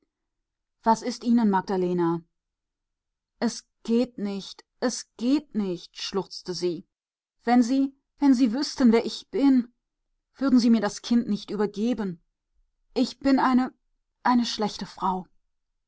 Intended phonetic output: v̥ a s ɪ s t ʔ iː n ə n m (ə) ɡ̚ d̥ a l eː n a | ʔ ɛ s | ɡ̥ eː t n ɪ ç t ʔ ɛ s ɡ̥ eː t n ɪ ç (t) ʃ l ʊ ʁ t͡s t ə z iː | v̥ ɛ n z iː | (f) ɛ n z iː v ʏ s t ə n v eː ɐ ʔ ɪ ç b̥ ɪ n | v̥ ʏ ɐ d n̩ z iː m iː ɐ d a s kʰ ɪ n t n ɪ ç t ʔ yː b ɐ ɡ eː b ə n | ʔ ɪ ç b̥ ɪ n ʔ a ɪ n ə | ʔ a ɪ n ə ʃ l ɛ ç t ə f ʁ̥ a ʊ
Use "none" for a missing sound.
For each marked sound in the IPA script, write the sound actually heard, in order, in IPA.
a, t, v

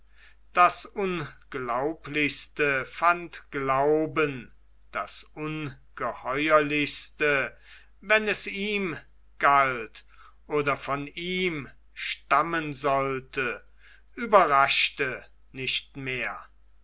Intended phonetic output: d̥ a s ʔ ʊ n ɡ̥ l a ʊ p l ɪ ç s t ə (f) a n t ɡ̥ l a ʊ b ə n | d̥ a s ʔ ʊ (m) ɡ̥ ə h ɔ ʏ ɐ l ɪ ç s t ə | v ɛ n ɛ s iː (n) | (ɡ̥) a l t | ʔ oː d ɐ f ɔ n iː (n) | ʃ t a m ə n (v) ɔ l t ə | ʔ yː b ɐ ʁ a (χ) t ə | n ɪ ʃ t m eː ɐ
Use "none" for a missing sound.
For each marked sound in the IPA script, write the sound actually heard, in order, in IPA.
f, n, m, ɡ̥, m, z, ʃ

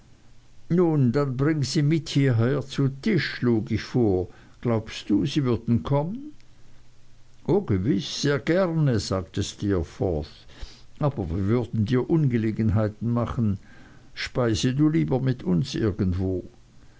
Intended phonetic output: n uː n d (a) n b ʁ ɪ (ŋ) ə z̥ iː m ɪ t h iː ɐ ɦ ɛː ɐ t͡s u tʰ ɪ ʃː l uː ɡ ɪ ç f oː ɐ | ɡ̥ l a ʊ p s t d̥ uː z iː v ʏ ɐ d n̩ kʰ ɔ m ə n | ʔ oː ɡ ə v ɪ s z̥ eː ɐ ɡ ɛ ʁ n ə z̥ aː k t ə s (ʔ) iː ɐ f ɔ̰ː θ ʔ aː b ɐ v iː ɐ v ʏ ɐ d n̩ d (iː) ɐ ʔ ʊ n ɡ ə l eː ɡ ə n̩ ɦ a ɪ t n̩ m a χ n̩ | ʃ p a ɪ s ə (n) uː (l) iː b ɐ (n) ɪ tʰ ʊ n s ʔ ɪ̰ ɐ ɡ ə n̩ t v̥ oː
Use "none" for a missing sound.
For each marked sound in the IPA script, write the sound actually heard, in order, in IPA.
a, ŋ, t, iː, d, l, m

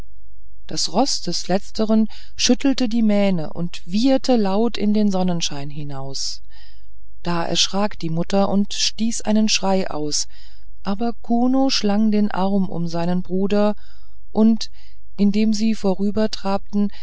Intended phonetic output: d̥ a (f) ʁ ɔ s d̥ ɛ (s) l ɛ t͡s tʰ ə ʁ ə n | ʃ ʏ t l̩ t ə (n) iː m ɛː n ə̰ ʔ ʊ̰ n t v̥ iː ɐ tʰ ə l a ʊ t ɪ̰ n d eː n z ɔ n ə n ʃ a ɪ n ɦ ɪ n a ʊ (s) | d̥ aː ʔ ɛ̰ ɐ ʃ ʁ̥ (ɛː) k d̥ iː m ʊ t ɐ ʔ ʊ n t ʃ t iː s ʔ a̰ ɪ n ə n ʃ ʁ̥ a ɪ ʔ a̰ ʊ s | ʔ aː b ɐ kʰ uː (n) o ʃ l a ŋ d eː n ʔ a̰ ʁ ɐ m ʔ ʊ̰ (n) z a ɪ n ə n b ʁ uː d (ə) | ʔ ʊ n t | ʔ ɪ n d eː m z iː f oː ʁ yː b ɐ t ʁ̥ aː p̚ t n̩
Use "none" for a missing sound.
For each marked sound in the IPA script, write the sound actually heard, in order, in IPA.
s, s, d, s, aː, n, m, ɐ

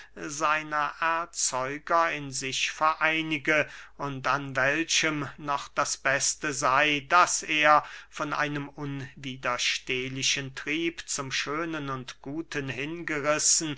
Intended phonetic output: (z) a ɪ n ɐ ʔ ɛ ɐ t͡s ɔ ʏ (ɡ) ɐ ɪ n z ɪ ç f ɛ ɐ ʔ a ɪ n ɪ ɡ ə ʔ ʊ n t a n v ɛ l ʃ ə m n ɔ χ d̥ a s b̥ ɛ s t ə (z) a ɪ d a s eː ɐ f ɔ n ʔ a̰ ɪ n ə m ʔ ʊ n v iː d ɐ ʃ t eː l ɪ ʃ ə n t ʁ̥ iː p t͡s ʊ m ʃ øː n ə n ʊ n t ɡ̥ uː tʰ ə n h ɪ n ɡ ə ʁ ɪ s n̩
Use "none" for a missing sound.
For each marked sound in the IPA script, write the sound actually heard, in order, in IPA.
z, ɡ, z

